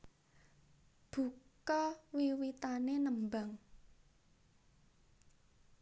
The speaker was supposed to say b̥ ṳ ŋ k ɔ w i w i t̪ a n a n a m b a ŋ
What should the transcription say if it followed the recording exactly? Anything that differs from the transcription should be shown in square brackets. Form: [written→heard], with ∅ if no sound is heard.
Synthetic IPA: b̥ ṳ [ŋ→∅] k ɔ w i w i t̪ a n [a→e] n [a→ə] m b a ŋ